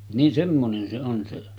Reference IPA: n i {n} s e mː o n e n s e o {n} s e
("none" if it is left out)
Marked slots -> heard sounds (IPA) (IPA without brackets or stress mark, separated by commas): n, n